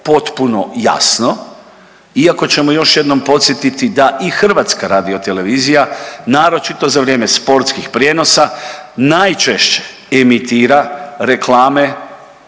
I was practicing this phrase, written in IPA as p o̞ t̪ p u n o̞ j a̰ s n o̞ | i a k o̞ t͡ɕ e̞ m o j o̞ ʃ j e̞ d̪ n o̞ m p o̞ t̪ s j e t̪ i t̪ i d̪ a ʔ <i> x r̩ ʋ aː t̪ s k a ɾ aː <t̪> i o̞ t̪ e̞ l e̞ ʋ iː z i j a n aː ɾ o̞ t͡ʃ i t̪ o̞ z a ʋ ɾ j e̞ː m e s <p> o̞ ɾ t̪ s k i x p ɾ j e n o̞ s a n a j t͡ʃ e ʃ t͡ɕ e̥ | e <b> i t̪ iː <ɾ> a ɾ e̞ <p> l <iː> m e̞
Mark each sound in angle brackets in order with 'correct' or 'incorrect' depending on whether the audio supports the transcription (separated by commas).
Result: correct, incorrect, correct, incorrect, correct, incorrect, incorrect